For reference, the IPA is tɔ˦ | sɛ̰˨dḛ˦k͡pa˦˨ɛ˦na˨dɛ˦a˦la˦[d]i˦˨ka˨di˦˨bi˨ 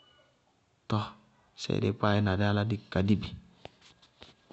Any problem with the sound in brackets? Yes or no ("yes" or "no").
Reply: no